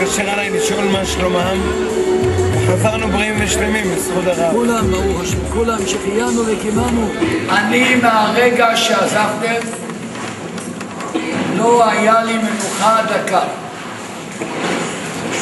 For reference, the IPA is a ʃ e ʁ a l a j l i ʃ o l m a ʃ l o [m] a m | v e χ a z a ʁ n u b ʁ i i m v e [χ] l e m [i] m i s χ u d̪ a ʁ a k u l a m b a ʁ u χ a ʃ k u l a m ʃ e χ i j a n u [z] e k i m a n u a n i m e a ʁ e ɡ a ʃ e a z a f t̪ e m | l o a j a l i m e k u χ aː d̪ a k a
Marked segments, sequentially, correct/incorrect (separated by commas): correct, incorrect, correct, incorrect